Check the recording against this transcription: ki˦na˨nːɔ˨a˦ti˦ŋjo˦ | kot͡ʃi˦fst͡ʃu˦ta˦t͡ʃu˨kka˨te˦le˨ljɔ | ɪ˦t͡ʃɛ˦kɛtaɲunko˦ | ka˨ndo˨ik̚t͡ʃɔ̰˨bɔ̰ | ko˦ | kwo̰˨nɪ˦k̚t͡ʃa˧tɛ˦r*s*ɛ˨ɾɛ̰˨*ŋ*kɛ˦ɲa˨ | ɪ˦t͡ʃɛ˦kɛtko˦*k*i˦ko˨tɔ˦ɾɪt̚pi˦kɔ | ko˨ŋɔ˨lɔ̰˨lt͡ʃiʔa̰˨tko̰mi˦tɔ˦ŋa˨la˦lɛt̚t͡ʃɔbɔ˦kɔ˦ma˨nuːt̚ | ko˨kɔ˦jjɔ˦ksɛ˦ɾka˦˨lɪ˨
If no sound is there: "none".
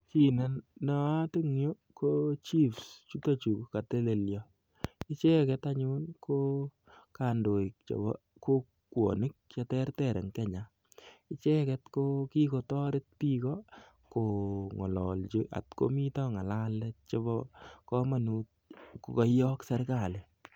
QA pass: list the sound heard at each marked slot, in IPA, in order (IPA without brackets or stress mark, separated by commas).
t, ŋ, k